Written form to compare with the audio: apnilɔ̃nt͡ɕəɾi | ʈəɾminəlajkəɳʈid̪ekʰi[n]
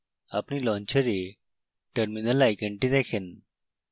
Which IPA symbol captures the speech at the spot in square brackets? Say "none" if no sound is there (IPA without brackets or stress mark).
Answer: n